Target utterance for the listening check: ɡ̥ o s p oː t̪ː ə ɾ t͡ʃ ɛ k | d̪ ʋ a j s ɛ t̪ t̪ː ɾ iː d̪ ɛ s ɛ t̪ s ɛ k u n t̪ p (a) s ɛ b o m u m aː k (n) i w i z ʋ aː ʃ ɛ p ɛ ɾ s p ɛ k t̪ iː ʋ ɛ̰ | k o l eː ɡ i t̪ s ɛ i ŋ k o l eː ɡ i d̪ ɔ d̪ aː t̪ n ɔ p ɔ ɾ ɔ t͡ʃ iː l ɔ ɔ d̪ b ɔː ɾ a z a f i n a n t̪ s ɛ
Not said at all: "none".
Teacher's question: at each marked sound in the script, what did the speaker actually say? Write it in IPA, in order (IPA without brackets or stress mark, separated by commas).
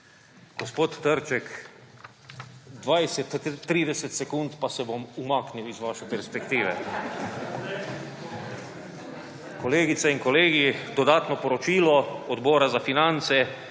a, n